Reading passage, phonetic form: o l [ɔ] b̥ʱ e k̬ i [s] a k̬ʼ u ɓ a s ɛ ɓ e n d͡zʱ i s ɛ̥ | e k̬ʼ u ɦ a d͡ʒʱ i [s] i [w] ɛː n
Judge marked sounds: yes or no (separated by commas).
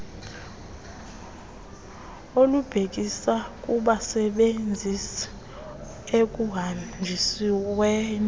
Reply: no, yes, yes, yes